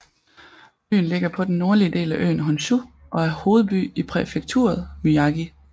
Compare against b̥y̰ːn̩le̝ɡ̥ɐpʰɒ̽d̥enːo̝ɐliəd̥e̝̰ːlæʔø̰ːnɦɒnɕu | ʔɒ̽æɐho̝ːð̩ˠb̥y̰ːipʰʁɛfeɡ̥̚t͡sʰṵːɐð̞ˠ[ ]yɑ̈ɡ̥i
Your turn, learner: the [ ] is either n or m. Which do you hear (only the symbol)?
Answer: m